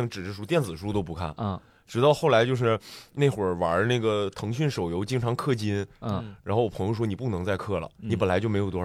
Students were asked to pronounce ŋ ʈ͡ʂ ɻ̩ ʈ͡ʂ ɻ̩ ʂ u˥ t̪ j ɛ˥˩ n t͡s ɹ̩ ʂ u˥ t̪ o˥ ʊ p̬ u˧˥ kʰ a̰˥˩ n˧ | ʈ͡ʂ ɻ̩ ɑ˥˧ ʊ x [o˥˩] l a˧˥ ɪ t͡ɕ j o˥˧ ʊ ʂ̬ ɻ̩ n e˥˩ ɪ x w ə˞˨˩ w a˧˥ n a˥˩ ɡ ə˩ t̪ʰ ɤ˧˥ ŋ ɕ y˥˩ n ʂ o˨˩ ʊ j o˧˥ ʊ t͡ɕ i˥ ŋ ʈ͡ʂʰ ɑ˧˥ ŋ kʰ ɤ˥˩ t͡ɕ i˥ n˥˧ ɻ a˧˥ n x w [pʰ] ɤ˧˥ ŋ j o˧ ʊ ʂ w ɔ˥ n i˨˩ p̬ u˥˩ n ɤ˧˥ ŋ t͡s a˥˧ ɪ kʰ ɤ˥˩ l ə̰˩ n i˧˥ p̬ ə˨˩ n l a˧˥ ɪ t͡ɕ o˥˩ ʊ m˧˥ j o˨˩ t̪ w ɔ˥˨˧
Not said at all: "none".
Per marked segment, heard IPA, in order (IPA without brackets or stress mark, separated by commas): o˥˩, pʰ